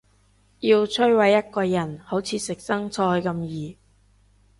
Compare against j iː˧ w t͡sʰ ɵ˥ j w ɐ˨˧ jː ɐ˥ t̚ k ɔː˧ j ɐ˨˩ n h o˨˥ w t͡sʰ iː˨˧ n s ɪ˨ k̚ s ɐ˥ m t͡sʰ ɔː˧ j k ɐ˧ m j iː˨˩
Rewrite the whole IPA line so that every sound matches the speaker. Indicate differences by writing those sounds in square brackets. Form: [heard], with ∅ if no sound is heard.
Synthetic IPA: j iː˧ w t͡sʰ ɵ˥ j w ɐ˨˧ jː ɐ˥ t̚ k ɔː˧ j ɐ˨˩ n h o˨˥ w t͡sʰ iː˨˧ [∅] s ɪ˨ k̚ s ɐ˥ [ŋ] t͡sʰ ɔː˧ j k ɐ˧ m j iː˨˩